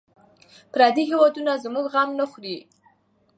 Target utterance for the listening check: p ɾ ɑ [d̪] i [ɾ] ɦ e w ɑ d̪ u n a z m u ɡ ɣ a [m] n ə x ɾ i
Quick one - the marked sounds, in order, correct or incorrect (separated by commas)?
correct, incorrect, correct